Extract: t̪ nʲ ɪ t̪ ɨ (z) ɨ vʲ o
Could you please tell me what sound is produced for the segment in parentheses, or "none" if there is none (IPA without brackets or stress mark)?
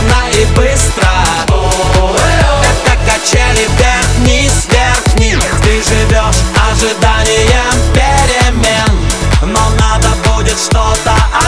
ʐ